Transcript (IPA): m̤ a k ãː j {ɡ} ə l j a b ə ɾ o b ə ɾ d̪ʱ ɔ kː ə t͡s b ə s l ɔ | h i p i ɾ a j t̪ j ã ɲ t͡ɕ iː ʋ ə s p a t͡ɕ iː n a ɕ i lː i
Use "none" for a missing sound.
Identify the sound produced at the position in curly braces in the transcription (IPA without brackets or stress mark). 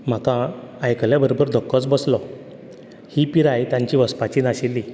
k